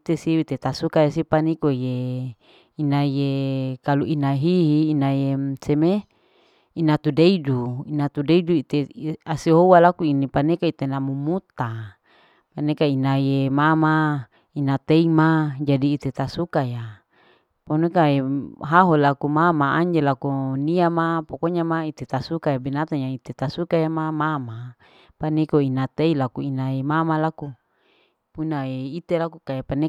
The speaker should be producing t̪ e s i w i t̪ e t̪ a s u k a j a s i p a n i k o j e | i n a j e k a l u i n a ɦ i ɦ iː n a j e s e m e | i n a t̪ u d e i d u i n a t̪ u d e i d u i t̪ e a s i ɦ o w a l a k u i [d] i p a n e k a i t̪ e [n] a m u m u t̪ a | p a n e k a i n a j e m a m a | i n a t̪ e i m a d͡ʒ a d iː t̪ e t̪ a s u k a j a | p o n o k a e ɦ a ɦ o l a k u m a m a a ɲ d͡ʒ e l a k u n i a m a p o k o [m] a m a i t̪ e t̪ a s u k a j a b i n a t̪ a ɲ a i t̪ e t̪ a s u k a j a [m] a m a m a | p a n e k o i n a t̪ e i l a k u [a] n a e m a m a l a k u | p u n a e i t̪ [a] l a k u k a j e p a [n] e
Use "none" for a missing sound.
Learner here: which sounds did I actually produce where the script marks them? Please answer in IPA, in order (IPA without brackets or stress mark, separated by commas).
n, n, ɲ, m, i, e, n